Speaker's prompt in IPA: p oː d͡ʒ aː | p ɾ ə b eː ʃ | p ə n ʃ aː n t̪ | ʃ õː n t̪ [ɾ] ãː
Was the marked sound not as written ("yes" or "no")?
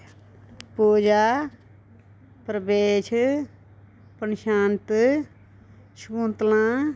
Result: yes